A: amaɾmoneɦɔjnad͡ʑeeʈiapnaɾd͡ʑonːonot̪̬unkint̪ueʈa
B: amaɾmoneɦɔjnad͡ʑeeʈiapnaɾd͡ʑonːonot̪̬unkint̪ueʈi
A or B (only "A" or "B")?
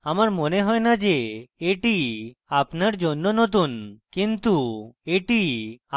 B